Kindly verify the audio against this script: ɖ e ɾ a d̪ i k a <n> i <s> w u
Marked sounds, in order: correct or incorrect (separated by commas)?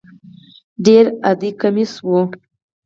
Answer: incorrect, correct